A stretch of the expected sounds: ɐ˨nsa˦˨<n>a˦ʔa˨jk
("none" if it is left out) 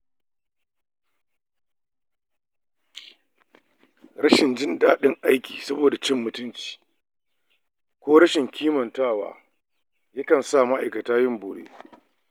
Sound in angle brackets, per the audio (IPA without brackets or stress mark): m